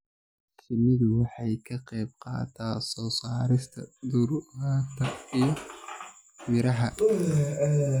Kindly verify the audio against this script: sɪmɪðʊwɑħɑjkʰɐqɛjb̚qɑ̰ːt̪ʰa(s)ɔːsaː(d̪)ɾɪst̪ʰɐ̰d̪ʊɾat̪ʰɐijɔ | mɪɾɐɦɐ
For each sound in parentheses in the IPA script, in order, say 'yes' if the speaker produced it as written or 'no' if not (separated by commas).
yes, no